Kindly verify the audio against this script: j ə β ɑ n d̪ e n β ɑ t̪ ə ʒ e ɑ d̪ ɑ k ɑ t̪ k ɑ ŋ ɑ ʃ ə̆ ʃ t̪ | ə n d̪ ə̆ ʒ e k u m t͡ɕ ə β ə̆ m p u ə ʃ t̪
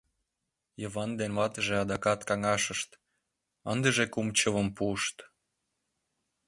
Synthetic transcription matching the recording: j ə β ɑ n d̪ e n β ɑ t̪ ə ʒ e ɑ d̪ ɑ k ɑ t̪ k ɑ ŋ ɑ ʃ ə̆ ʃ t̪ | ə n d̪ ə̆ ʒ e k u m t͡ɕ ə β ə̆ m p u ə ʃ t̪